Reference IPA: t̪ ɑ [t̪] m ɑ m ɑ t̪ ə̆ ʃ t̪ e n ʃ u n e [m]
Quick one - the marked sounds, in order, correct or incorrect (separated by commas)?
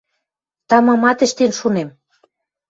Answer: incorrect, correct